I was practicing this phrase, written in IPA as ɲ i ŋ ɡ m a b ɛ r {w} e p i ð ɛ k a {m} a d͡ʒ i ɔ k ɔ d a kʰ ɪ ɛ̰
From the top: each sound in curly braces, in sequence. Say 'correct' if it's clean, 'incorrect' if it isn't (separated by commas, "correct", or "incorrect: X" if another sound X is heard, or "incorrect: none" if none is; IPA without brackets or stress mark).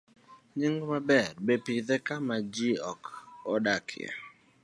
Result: incorrect: b, correct